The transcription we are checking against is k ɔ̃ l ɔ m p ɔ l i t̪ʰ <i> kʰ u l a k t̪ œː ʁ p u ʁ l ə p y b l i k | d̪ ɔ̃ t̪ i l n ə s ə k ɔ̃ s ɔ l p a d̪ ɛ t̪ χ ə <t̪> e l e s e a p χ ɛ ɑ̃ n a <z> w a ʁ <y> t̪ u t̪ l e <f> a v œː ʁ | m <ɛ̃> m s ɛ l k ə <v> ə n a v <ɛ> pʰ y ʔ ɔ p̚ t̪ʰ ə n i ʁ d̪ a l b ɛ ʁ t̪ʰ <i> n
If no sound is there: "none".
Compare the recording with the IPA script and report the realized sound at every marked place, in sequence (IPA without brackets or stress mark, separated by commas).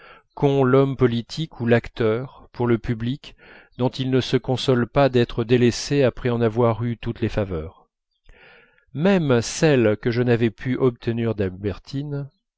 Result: i, d̪, v, y, f, ɛ, ʒ, ɛ, i